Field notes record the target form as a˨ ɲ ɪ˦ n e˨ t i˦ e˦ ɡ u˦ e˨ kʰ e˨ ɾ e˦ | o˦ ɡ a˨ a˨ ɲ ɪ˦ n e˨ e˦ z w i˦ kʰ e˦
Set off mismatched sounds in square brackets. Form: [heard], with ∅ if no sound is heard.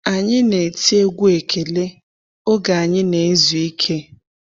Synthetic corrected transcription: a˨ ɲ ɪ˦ n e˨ t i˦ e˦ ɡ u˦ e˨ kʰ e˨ [l] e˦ | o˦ ɡ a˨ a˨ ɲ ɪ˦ n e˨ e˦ z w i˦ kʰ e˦